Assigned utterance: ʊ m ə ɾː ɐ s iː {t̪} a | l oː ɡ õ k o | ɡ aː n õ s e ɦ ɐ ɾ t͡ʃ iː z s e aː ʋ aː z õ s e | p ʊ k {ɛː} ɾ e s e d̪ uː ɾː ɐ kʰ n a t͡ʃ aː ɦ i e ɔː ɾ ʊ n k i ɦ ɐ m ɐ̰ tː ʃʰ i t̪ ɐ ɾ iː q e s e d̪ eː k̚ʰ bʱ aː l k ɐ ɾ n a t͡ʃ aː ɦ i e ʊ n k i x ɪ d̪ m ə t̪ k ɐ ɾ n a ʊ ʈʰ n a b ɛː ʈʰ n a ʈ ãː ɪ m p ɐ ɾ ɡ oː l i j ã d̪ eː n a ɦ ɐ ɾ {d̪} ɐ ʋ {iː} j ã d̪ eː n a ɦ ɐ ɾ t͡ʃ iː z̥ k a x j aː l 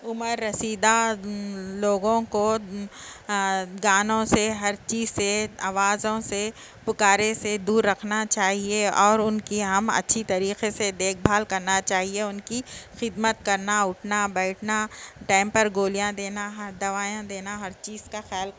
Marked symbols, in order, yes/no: no, no, yes, no

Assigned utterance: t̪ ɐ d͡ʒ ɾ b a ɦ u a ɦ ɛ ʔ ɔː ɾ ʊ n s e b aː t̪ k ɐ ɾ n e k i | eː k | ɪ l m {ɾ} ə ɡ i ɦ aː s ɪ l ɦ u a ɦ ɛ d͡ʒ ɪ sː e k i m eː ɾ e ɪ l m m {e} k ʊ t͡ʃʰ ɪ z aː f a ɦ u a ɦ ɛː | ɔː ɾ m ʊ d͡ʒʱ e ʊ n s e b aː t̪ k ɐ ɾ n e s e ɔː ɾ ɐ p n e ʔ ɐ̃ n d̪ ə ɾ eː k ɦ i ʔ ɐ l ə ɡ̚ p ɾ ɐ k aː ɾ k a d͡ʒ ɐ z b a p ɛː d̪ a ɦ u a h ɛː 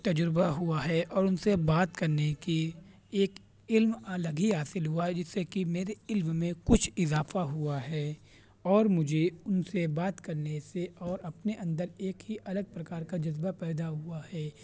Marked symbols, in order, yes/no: no, no

